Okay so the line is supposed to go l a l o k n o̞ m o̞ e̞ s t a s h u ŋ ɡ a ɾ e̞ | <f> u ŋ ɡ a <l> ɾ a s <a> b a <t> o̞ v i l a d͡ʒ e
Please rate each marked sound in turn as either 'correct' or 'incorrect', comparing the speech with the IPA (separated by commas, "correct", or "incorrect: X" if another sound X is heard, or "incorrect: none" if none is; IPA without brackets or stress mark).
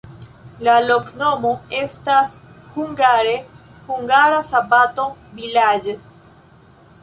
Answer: incorrect: h, incorrect: none, correct, correct